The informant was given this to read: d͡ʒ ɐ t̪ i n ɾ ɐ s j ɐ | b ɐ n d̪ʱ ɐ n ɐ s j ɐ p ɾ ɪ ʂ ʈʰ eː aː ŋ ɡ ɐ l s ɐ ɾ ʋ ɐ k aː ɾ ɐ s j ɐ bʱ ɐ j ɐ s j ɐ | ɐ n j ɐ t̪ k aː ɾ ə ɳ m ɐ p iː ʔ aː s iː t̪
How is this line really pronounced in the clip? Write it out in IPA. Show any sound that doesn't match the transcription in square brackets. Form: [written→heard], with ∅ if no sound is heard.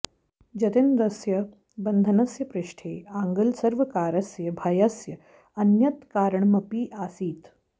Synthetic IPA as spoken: d͡ʒ ɐ t̪ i n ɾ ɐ s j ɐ | b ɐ n d̪ʱ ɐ n ɐ s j ɐ p ɾ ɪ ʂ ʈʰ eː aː ŋ ɡ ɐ l s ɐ ɾ ʋ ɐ k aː ɾ ɐ s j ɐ bʱ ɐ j ɐ s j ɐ | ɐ n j ɐ t̪ k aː ɾ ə ɳ m ɐ p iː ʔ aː s iː t̪

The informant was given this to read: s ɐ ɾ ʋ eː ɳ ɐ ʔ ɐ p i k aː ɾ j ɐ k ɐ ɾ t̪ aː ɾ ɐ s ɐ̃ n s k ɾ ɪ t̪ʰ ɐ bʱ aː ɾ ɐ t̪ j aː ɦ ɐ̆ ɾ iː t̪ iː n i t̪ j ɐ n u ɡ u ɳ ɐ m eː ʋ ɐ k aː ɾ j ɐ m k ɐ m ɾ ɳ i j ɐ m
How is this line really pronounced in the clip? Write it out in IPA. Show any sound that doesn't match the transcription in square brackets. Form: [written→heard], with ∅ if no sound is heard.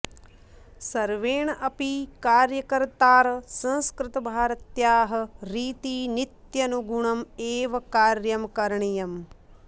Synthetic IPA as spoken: s ɐ ɾ ʋ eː ɳ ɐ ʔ ɐ p i k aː ɾ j ɐ k ɐ ɾ t̪ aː ɾ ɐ s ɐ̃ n s k ɾ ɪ [t̪ʰ→t̪] ɐ bʱ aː ɾ ɐ t̪ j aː ɦ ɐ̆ ɾ iː t̪ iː n i t̪ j ɐ n u ɡ u ɳ ɐ m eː ʋ ɐ k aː ɾ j ɐ m k ɐ [m→∅] ɾ ɳ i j ɐ m

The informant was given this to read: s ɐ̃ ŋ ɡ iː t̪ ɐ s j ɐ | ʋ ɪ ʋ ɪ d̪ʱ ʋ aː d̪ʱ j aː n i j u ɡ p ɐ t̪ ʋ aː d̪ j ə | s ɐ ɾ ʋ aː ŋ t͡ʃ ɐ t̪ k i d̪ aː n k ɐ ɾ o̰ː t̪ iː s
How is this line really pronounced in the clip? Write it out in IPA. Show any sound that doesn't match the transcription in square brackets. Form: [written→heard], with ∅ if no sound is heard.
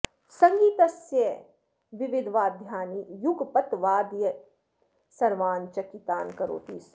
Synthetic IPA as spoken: s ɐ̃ ŋ ɡ iː t̪ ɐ s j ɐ | ʋ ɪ ʋ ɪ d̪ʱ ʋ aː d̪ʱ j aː n i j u ɡ p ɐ t̪ ʋ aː d̪ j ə | s ɐ ɾ ʋ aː [ŋ→n] t͡ʃ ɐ [t̪→∅] k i [d̪→t̪] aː n k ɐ ɾ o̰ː t̪ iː s

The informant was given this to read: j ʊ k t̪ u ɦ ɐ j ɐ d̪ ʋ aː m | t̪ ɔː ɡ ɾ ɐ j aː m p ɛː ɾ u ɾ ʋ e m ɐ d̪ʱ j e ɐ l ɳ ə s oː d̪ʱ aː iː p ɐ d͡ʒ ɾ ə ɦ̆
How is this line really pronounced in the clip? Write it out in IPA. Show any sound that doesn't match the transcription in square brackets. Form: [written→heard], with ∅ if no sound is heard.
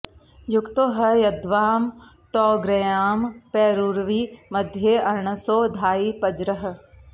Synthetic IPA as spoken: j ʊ k t̪ [u→o] ɦ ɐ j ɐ d̪ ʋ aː m | t̪ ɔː ɡ ɾ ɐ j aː m p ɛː ɾ u ɾ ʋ [e→i] m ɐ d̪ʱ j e ɐ [l→ɾ] ɳ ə s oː d̪ʱ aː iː p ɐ d͡ʒ ɾ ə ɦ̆

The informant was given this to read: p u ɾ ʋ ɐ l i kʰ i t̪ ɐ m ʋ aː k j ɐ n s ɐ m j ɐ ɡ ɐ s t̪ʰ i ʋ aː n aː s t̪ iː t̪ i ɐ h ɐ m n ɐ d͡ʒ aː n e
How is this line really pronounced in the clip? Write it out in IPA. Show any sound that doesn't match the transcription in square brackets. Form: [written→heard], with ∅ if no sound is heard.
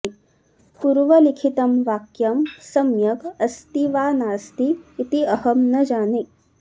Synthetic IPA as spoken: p u ɾ ʋ ɐ l i kʰ i t̪ ɐ m ʋ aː k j ɐ [n→m] s ɐ m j ɐ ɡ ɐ s [t̪ʰ→t̪] i ʋ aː n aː s t̪ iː t̪ i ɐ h ɐ m n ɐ d͡ʒ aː n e

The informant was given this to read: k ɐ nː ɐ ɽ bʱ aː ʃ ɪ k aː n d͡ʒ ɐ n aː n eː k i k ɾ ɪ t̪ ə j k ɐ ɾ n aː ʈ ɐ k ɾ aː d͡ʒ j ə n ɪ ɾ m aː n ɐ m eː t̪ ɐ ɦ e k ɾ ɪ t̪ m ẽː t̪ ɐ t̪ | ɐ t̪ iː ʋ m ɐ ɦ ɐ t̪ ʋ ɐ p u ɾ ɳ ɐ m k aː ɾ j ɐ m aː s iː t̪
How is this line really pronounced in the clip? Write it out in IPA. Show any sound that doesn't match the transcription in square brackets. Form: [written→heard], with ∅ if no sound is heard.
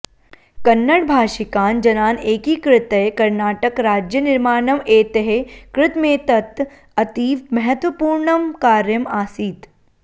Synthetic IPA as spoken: k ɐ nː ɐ ɽ bʱ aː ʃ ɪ k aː n d͡ʒ ɐ n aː n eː k i k ɾ ɪ t̪ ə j k ɐ ɾ n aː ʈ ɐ k ɾ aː d͡ʒ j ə n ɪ ɾ m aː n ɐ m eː t̪ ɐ ɦ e k ɾ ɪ t̪ m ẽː t̪ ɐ t̪ | ɐ t̪ iː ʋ m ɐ ɦ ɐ t̪ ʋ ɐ p [u→uː] ɾ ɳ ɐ m k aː ɾ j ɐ m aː s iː t̪

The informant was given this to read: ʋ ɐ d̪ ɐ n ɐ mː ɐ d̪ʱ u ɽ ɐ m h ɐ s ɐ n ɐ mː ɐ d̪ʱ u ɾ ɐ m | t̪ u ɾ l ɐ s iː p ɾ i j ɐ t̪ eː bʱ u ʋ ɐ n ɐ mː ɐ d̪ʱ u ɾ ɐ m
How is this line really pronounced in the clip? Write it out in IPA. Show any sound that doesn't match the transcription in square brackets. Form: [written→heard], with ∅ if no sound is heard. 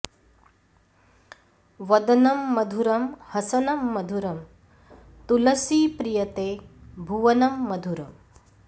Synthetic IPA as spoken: ʋ ɐ d̪ ɐ n ɐ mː ɐ d̪ʱ u [ɽ→ɾ] ɐ m h ɐ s ɐ n ɐ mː ɐ d̪ʱ u ɾ ɐ m | t̪ u [ɾ→∅] l ɐ s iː p ɾ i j ɐ t̪ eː bʱ u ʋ ɐ n ɐ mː ɐ d̪ʱ u ɾ ɐ m

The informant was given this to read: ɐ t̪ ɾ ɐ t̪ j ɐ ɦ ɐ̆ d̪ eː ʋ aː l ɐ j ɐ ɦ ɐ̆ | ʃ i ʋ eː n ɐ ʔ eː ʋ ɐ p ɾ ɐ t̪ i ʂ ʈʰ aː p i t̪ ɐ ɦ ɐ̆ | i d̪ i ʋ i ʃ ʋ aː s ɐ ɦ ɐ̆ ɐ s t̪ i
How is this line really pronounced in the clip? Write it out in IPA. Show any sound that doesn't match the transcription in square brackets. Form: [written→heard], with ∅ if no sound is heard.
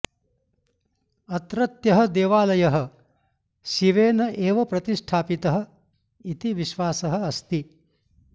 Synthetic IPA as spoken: ɐ t̪ ɾ ɐ t̪ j ɐ ɦ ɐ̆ d̪ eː ʋ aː l ɐ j ɐ ɦ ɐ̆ | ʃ i ʋ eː n ɐ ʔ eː ʋ ɐ p ɾ ɐ t̪ i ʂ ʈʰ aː p i t̪ ɐ ɦ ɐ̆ | i [d̪→t̪] i ʋ i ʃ ʋ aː s ɐ ɦ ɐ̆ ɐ s t̪ i

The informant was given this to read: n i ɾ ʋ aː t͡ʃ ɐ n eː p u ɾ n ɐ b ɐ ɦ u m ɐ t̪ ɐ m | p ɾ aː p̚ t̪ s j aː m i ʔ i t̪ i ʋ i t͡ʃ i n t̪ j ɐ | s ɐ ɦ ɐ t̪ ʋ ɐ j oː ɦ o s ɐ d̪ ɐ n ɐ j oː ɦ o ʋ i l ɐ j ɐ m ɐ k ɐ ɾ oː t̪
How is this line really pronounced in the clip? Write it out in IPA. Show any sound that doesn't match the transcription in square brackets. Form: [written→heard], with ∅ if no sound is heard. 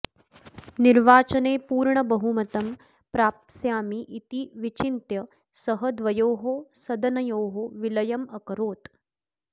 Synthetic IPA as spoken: n i ɾ ʋ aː t͡ʃ ɐ n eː p [u→uː] ɾ [n→ɳ] ɐ b ɐ ɦ u m ɐ t̪ ɐ m | p ɾ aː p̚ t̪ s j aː m i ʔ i t̪ i ʋ i t͡ʃ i n t̪ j ɐ | s ɐ ɦ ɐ [t̪→d̪] ʋ ɐ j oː ɦ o s ɐ d̪ ɐ n ɐ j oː ɦ o ʋ i l ɐ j ɐ m ɐ k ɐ ɾ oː t̪

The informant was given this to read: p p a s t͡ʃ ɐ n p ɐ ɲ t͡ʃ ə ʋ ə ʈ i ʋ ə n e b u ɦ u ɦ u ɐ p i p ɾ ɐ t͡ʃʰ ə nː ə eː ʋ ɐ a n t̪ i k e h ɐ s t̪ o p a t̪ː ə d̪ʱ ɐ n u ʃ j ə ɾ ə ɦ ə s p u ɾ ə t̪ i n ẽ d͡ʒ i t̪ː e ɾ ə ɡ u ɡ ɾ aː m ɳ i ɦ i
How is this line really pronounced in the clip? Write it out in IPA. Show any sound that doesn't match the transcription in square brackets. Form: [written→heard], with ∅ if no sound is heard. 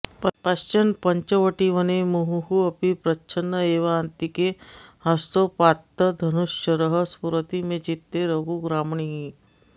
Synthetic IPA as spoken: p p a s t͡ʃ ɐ n p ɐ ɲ t͡ʃ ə ʋ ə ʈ i ʋ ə n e [b→m] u ɦ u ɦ u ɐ p i p ɾ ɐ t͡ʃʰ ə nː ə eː ʋ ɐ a n t̪ i k e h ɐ s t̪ o p a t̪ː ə d̪ʱ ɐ n u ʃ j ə ɾ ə ɦ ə s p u ɾ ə t̪ i [n→m] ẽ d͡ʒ i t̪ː e ɾ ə ɡ u ɡ ɾ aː m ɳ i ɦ i

